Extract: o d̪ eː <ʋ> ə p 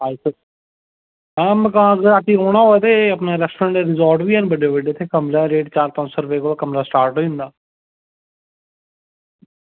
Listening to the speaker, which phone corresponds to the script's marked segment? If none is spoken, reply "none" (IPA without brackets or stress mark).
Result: none